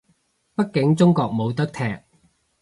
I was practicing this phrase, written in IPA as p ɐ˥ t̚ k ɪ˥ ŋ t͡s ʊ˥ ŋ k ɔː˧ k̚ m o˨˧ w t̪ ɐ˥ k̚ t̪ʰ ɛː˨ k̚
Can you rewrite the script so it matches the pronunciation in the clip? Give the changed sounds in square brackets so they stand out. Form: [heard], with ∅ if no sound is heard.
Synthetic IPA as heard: p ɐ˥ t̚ k [ɪ˨˥] ŋ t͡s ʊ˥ ŋ k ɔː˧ k̚ m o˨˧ w t̪ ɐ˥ k̚ t̪ʰ ɛː˨ k̚